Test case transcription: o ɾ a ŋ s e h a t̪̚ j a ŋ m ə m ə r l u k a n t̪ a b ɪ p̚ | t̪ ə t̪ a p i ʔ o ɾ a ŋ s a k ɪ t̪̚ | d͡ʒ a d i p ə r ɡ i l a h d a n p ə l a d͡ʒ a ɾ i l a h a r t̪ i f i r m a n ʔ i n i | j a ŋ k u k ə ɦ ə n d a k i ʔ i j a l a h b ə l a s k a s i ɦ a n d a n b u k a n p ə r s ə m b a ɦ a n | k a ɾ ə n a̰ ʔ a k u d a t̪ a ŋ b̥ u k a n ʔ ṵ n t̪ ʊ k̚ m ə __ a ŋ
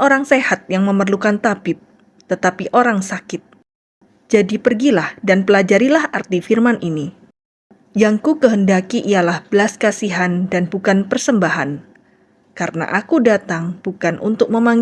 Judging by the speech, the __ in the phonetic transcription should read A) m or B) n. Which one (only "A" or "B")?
A